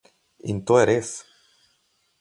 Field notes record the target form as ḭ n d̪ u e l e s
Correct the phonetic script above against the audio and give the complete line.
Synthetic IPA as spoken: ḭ n t̪ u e ɾ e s